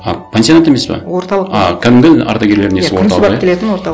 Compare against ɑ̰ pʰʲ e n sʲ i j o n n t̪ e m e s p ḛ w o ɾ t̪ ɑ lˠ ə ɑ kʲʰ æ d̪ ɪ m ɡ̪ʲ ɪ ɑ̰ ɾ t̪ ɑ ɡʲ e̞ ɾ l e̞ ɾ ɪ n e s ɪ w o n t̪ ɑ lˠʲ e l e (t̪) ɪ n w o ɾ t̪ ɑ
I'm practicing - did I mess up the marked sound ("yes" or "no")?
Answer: no